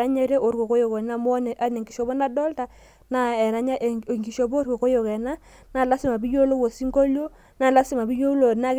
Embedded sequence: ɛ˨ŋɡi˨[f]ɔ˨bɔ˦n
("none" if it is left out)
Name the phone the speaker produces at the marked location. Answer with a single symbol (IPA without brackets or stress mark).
ʃ